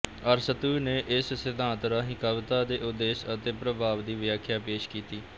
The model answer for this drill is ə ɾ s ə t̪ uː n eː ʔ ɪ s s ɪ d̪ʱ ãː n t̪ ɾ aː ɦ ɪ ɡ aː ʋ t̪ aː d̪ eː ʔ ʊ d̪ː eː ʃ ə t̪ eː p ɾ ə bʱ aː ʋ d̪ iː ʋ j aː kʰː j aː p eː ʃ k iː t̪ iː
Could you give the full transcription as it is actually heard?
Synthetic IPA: ə ɾ s ə t̪ uː n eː ʔ ɪ s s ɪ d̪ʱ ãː n t̪ ɾ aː ɦ ɪ k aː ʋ t̪ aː d̪ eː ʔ ʊ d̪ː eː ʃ ə t̪ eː p ɾ ə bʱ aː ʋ d̪ iː ʋ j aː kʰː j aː p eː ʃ k iː t̪ iː